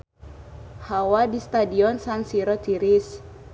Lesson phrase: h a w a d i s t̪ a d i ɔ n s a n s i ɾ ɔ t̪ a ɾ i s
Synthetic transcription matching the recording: h a w a d i s t̪ a d i ɔ n s a n s i ɾ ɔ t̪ i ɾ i s